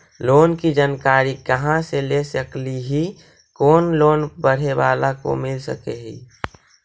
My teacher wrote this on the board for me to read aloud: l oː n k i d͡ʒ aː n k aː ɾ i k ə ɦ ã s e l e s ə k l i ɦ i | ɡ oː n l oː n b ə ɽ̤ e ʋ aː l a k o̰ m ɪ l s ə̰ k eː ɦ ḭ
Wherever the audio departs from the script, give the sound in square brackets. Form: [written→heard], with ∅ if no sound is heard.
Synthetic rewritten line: l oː n k i d͡ʒ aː n k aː ɾ i k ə ɦ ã s e l e s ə k l i ɦ i | [ɡ→k] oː n l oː n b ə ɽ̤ e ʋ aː l a k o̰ m ɪ l s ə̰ k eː ɦ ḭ